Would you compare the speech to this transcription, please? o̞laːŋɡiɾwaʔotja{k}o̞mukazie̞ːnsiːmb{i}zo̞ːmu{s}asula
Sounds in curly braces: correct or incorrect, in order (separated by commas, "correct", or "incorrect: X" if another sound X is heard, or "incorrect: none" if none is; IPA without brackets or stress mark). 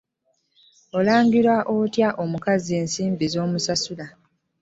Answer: incorrect: ʔ, correct, correct